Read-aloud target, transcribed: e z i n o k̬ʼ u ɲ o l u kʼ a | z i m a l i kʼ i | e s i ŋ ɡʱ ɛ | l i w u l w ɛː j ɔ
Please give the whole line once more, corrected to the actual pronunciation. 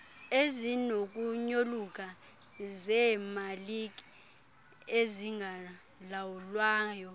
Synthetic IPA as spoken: e z i n o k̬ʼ u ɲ o l u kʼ a | z ɛ m a l i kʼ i | e z i ŋ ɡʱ a | l a w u l w aː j ɔ

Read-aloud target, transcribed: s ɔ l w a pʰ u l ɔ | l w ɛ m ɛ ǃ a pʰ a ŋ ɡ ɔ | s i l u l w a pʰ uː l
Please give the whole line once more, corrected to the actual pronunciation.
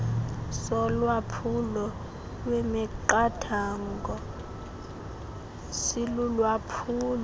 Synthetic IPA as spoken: s ɔ l w a pʰ u l ɔ | l w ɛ m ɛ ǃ a tʰ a ŋ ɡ ɔ | s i l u l w a pʰ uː l

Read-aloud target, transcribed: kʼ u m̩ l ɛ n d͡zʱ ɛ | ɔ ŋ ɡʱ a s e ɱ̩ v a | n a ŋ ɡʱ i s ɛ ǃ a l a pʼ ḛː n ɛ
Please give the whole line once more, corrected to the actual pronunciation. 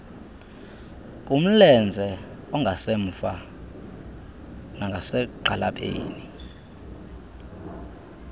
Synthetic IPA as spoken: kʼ u m̩ l ɛ n d͡zʱ ɛ | ɔ ŋ ɡʱ a s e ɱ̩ f a | n a ŋ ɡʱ a s ɛ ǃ a l a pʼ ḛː n i

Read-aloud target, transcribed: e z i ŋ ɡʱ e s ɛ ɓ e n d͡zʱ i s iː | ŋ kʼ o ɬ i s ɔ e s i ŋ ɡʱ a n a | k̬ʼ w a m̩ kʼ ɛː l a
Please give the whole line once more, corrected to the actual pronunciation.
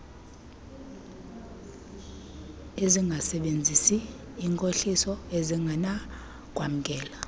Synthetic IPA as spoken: e z i ŋ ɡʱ a s ɛ ɓ e n d͡zʱ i s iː | ŋ kʼ o ɬ i s ɔ e z i ŋ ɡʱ a n a | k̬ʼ w a m̩ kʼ ɛː l a

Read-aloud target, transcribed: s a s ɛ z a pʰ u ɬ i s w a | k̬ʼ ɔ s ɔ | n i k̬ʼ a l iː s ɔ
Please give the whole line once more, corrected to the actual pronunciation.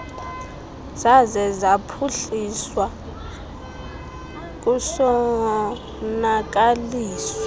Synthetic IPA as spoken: z a z ɛ z a pʰ u ɬ i s w a | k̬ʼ u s ɔ | n a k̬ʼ a l iː s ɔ

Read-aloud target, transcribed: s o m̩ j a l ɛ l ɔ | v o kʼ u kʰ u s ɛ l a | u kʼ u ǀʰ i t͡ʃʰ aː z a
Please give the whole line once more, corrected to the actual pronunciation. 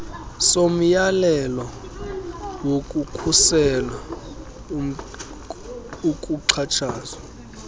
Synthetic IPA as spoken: s o m̩ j a l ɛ l ɔ | w o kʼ u kʰ u s ɛ l a | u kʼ u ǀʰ a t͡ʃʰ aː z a

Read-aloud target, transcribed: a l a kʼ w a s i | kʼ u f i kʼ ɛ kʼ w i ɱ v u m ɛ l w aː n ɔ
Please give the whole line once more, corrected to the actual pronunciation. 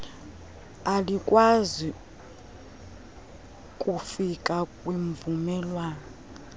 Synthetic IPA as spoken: a l i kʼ w a z i | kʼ u f i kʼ a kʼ w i ɱ v u m ɛ l w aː n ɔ

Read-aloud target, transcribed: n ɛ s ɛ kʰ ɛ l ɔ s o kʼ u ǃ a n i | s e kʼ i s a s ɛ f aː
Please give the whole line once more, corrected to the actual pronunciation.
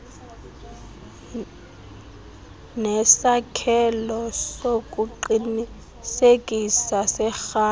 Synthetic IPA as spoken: n ɛ s a kʰ ɛ l ɔ s o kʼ u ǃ i n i | s e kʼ i s a s ɛ x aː

